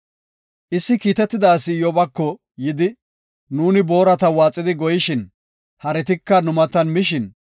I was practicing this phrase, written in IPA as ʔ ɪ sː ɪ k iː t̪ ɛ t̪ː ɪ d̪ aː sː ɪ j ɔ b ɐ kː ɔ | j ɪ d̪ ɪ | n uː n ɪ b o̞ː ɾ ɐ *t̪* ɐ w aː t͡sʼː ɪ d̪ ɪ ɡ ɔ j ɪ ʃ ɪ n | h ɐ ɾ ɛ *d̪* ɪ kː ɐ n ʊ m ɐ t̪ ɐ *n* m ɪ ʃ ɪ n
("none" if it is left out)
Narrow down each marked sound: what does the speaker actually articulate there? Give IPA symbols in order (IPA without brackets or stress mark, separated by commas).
t̪, t̪, n